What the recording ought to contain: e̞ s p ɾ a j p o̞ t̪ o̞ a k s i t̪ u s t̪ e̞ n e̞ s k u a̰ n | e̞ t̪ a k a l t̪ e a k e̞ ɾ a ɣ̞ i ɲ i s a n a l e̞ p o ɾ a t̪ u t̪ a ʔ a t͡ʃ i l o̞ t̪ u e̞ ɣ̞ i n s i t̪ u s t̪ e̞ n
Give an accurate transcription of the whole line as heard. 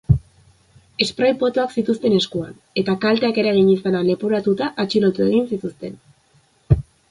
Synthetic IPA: e̞ s p ɾ a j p o̞ t̪ o̞ a k s i t̪ u s t̪ e̞ n e̞ s k u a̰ n | e̞ t̪ a k a l t̪ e a k e̞ ɾ a ɣ̞ i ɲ i s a n a l e̞ p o ɾ a t̪ u t̪ a ʔ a t͡ʃ i l o̞ t̪ u e̞ ɣ̞ i n s i t̪ u s t̪ e̞ n